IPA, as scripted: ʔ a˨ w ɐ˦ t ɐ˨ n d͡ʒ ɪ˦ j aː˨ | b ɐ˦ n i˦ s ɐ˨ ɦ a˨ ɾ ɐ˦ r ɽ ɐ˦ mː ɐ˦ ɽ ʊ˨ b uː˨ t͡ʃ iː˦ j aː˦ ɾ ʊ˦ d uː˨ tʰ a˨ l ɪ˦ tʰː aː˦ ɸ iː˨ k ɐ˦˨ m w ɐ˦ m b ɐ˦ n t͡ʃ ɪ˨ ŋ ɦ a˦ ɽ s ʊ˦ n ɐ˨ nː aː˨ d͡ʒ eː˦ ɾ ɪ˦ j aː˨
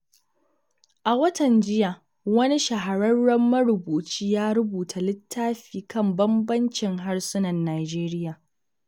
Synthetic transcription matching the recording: ʔ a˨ w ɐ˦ t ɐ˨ n d͡ʒ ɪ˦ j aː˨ | w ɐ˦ n i˦ ʃ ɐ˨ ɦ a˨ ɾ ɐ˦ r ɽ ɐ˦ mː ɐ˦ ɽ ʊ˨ b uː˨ t͡ʃ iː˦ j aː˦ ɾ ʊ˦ b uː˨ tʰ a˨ l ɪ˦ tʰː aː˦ ɸ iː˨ k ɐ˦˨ m b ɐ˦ m b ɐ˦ n t͡ʃ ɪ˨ ŋ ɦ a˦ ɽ s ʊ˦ n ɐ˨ nː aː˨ d͡ʒ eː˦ ɾ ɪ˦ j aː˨